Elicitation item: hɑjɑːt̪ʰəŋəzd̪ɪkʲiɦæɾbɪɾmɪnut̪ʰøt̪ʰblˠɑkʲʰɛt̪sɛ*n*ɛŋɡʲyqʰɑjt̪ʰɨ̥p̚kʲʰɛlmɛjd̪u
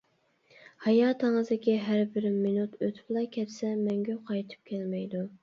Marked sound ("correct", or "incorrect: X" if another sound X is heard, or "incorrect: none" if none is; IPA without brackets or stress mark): incorrect: m